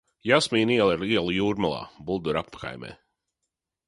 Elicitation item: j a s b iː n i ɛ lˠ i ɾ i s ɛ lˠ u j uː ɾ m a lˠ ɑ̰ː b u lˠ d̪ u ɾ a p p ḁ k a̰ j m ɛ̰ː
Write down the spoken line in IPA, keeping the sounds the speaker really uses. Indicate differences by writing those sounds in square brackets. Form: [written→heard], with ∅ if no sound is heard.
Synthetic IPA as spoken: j a s [b→m] iː n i ɛ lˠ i ɾ i [s→∅] ɛ lˠ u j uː ɾ m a lˠ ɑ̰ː b u lˠ d̪ u ɾ a p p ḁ k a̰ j m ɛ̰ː